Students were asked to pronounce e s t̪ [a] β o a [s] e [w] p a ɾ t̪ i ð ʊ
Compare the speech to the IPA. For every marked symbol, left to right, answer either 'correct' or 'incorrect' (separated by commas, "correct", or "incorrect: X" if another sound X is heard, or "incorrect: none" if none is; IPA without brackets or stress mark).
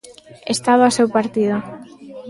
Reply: correct, correct, correct